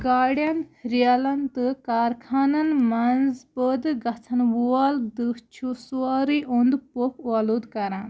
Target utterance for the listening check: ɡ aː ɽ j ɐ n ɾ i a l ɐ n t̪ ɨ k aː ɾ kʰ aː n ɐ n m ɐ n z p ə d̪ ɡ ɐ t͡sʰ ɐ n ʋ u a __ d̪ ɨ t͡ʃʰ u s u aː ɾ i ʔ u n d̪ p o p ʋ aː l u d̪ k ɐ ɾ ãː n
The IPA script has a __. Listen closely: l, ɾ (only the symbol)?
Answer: l